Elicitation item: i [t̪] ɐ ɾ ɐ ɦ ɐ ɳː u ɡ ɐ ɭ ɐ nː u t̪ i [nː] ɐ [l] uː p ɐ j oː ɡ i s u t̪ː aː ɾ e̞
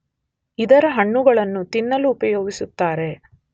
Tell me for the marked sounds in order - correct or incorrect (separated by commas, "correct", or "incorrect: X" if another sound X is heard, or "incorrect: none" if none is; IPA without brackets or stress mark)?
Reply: incorrect: d̪, correct, correct